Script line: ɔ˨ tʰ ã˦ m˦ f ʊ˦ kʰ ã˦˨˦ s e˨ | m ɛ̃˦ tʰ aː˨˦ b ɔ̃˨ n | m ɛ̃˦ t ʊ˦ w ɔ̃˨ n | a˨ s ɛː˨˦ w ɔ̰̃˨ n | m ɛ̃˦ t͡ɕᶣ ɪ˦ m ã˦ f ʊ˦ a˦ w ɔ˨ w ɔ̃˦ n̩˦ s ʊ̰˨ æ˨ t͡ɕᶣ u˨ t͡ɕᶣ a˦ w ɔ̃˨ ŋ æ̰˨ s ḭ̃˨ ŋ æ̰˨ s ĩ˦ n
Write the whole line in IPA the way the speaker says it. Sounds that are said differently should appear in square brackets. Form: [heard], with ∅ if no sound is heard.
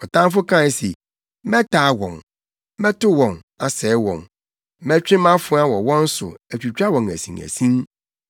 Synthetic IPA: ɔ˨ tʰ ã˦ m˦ f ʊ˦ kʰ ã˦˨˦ s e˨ | m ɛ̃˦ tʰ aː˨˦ [w] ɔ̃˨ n | m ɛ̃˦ t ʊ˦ w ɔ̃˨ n | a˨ s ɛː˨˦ w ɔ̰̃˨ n | m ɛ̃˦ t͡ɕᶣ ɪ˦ m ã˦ f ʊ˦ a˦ w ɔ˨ w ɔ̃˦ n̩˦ s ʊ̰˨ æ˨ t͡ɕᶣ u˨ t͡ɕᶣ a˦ w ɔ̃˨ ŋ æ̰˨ s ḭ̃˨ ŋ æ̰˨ s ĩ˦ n